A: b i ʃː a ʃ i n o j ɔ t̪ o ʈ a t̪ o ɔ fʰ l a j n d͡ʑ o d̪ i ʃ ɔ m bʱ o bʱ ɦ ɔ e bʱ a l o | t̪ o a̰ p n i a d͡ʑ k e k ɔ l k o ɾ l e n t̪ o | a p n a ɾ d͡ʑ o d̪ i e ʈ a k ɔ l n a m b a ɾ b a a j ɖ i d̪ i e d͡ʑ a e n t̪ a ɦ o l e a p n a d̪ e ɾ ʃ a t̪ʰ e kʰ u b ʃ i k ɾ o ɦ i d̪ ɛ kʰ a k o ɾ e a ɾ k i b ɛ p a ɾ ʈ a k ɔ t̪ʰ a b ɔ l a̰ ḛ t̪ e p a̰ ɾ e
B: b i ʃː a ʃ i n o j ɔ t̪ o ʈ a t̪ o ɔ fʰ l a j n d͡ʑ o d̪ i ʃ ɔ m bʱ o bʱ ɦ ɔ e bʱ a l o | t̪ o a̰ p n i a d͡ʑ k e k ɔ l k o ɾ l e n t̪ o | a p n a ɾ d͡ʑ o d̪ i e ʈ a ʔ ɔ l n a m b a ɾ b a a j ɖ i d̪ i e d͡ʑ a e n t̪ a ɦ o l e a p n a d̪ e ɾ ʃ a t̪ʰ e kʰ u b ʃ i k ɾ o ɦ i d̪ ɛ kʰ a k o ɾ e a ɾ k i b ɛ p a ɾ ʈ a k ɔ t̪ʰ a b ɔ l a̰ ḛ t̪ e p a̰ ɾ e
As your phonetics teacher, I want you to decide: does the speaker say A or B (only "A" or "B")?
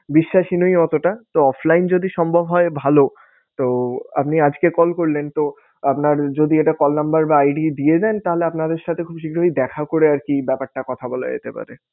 A